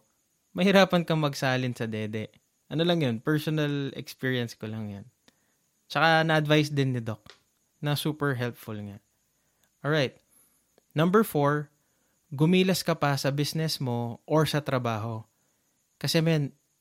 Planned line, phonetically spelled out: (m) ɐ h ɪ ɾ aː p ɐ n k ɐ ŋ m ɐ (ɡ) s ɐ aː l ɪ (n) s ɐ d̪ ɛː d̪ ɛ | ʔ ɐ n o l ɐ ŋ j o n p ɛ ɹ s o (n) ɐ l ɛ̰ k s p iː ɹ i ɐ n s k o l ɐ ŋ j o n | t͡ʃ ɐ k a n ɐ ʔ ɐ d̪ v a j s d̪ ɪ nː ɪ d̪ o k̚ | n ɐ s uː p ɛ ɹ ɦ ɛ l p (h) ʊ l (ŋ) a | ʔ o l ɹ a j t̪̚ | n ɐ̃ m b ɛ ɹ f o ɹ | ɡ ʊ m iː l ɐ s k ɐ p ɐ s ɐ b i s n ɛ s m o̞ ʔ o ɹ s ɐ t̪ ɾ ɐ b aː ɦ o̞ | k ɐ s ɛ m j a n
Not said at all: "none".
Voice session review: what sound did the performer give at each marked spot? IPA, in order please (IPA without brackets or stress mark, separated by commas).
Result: m, ɡ, n, n, f, ŋ